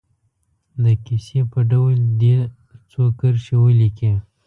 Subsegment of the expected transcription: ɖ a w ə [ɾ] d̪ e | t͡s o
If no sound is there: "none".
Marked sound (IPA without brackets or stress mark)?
l